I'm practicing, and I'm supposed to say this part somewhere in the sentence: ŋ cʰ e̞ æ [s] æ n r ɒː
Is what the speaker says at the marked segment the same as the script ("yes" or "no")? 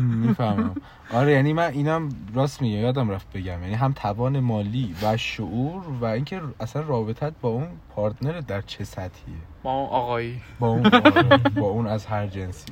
yes